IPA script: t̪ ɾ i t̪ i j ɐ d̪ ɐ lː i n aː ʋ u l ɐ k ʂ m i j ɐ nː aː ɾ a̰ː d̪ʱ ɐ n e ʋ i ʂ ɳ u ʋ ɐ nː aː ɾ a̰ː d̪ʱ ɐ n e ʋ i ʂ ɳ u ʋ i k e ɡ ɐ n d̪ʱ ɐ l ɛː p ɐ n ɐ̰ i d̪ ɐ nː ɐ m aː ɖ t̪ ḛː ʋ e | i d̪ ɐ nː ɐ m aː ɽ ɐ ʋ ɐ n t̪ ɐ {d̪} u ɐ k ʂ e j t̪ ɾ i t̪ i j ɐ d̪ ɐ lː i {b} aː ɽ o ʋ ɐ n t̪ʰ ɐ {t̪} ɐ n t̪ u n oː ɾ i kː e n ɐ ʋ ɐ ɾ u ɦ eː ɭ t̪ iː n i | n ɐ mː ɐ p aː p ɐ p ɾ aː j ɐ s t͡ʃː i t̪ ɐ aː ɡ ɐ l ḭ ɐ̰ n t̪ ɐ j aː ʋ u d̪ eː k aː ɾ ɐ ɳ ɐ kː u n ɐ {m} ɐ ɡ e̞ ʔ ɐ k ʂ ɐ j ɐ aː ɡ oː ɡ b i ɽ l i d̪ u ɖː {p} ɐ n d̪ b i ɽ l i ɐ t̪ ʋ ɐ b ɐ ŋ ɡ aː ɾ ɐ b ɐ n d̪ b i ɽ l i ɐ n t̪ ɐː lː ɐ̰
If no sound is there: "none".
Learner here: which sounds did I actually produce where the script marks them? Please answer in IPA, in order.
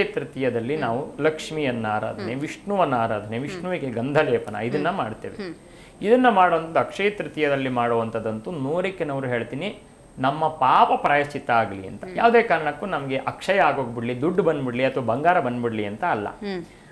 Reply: d̪, m, d̪, m, b

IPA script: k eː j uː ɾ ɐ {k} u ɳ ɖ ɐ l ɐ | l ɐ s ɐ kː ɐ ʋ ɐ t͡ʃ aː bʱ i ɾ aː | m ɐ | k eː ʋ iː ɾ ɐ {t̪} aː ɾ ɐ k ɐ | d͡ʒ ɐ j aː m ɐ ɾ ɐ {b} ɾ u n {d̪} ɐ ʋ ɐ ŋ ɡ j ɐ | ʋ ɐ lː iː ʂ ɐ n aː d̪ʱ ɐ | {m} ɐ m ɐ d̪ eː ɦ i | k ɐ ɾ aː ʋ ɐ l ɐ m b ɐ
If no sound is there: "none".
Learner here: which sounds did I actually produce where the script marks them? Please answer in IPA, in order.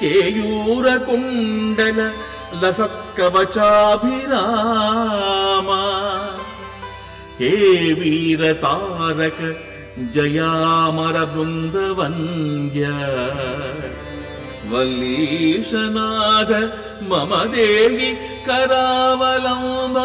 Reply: k, t̪, b, d̪, m

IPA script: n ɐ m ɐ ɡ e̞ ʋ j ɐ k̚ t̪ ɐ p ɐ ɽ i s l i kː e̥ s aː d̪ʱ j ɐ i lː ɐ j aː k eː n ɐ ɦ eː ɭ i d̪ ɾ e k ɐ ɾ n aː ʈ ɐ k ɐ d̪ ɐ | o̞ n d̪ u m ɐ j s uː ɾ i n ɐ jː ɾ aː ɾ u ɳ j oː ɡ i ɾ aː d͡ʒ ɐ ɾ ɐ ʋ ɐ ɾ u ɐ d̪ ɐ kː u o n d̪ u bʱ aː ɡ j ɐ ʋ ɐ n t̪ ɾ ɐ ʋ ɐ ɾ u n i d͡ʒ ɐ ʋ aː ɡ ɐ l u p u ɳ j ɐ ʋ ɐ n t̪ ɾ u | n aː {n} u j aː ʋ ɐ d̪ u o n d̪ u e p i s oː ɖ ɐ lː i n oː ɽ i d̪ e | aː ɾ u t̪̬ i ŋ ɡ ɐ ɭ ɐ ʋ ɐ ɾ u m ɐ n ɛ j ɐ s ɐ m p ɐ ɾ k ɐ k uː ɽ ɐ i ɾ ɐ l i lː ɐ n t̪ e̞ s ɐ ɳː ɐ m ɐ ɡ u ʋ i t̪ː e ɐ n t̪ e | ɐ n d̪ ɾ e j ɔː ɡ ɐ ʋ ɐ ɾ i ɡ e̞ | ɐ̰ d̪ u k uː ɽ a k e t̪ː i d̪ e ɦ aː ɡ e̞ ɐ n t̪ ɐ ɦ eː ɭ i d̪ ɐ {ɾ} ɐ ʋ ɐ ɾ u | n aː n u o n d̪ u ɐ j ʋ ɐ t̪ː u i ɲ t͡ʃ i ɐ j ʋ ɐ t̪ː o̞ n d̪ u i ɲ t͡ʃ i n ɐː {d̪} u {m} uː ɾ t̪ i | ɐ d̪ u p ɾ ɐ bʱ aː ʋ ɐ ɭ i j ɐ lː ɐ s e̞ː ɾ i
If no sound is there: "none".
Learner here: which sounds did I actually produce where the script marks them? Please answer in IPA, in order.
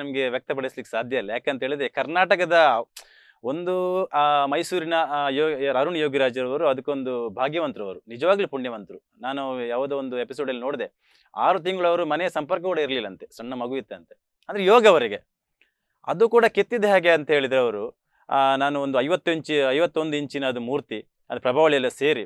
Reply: n, ɾ, d̪, m

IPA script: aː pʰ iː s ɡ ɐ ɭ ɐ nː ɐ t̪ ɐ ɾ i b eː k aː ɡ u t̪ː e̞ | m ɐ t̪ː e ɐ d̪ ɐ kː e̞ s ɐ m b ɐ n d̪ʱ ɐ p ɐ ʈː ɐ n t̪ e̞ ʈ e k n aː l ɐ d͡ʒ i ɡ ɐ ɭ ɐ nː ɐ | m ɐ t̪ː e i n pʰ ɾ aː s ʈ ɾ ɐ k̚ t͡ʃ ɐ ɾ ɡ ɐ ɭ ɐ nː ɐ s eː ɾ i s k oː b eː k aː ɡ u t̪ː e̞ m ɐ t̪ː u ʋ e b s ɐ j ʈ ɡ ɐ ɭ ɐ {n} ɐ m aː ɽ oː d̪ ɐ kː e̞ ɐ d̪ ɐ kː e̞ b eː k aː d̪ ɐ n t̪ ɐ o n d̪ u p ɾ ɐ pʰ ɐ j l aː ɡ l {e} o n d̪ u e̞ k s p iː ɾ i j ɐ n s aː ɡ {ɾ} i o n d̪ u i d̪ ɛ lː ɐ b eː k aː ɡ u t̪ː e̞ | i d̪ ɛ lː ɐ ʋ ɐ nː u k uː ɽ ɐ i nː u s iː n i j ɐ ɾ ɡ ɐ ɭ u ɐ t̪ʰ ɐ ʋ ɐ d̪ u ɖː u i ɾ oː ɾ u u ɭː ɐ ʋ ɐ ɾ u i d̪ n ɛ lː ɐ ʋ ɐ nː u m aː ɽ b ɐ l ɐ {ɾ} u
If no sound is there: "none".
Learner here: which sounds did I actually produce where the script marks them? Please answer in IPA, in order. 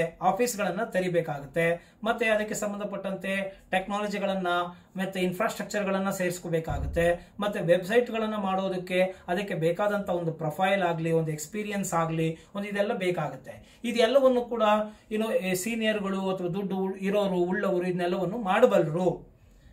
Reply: nː, i, l, ɾ

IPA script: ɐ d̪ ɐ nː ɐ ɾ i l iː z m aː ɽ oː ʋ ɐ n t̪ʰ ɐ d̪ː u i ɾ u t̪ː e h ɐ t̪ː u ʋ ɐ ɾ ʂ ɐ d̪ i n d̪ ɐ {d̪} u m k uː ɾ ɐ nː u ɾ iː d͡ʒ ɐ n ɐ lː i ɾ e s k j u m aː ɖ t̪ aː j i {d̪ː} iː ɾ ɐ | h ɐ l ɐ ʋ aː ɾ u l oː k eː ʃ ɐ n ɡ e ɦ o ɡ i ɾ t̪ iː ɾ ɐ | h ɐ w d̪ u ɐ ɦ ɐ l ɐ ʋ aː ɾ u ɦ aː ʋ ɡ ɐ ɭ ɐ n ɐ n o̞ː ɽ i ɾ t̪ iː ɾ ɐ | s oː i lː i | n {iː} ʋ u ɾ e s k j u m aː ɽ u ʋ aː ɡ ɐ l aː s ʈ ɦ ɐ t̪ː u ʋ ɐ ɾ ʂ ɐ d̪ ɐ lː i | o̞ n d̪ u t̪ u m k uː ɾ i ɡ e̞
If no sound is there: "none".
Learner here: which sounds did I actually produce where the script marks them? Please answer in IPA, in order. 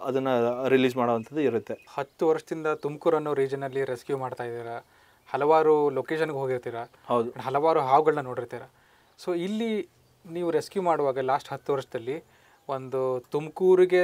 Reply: t̪, d̪, iː

